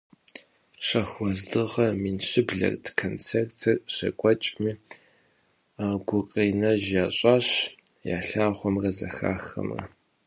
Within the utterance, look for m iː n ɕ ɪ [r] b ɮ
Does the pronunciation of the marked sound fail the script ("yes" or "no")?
yes